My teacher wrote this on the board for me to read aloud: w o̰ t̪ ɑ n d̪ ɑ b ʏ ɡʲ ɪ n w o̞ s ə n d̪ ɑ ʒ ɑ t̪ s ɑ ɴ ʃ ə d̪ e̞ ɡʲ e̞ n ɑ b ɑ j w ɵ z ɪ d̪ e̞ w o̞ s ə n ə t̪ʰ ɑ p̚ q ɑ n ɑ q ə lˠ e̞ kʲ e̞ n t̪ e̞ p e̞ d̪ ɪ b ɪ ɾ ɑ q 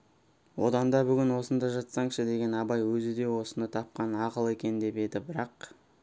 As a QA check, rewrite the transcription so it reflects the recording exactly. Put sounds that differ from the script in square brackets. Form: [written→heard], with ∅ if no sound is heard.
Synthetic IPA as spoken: w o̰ [t̪→d̪] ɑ n d̪ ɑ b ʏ ɡʲ ɪ n w o̞ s ə n d̪ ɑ ʒ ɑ t̪ s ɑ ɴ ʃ ə d̪ e̞ ɡʲ e̞ n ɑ b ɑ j w ɵ z ɪ d̪ e̞ w o̞ s ə n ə t̪ʰ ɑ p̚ q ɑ n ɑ q ə lˠ e̞ kʲ e̞ n [t̪→d̪] e̞ p e̞ d̪ ɪ b ɪ ɾ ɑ q

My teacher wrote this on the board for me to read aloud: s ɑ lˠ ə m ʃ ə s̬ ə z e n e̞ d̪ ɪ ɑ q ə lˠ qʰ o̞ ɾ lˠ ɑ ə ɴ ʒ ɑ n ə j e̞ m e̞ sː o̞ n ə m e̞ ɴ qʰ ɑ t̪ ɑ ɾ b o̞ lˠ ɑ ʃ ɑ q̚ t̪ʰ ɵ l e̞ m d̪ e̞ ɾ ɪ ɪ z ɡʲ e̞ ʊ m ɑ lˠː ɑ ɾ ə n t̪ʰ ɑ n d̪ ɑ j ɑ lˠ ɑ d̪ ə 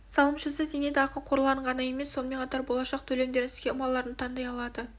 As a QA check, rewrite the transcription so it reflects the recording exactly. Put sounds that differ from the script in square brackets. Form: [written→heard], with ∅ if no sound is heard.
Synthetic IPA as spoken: s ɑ lˠ ə m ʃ ə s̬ ə z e n e̞ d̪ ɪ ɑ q ə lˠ qʰ o̞ ɾ lˠ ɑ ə ɴ [ʒ→ʁ] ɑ n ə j e̞ m e̞ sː o̞ n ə m e̞ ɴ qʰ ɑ t̪ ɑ ɾ b o̞ lˠ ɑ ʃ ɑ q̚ t̪ʰ ɵ l e̞ m d̪ e̞ ɾ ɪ ɪ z ɡʲ e̞ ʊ m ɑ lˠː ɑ ɾ ə n t̪ʰ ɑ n d̪ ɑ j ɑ lˠ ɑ d̪ ə

